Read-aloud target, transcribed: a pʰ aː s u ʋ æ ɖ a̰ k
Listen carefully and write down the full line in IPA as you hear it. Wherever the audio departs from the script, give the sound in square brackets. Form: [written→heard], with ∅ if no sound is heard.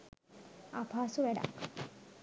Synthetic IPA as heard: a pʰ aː s u ʋ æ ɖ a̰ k